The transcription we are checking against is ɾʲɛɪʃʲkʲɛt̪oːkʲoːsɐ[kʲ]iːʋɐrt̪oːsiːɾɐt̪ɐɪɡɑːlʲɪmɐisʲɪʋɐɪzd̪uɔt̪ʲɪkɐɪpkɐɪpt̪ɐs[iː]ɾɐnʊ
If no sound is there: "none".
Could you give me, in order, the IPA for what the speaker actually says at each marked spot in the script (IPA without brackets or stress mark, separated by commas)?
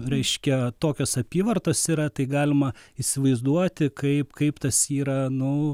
pʲ, iː